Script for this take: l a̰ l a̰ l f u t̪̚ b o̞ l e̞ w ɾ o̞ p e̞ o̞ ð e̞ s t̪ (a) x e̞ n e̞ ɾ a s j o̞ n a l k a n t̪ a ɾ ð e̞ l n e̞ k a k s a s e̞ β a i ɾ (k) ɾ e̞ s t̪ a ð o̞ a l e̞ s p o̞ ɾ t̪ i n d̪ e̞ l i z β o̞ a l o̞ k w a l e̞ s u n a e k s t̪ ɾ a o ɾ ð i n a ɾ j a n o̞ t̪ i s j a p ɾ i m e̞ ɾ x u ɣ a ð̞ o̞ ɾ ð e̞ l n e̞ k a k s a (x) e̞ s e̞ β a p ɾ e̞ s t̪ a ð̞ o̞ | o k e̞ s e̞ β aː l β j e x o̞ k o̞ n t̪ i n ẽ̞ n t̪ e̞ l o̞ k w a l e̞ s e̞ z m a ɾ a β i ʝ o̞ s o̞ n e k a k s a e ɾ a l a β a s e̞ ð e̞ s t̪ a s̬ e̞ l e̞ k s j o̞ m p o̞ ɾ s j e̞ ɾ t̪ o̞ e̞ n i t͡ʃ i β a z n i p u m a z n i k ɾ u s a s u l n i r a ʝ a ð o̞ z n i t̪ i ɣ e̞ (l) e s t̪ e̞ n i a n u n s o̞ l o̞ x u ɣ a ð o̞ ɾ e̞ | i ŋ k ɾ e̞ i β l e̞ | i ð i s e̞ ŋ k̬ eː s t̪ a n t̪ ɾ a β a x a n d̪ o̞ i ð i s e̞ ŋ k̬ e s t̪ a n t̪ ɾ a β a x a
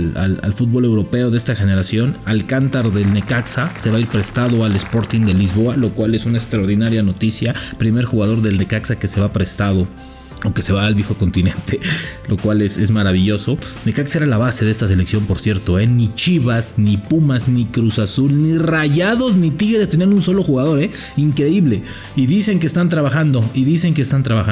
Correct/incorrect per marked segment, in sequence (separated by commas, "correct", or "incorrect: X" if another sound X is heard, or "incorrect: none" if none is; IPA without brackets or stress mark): correct, incorrect: p, incorrect: k, incorrect: ɾ